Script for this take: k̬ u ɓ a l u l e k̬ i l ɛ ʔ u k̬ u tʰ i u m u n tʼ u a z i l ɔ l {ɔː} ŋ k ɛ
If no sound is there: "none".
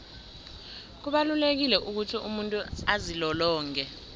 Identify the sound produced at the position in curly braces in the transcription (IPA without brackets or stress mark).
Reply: ɔː